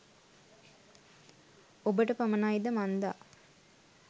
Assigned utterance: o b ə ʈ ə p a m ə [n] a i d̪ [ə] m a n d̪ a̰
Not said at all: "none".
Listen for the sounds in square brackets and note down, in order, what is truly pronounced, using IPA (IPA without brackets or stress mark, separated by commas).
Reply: n, ə